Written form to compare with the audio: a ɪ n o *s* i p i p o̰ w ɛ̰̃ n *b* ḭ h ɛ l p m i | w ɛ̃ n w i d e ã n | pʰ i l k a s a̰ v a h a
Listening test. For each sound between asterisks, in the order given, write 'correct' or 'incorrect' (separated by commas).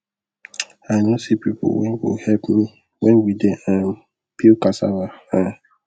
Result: correct, incorrect